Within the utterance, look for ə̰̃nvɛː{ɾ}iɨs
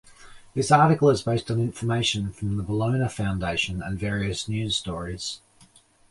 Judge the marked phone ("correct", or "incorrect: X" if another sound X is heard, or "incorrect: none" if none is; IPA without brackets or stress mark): incorrect: ɹ